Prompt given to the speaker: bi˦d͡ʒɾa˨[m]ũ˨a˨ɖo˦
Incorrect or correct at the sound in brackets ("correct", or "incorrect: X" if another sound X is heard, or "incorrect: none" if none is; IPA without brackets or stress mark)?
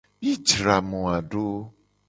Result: correct